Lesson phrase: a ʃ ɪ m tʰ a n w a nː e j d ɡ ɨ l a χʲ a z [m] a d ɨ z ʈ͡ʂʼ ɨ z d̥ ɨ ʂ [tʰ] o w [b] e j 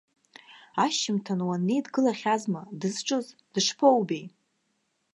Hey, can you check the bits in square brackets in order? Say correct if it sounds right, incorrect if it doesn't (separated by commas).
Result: correct, incorrect, correct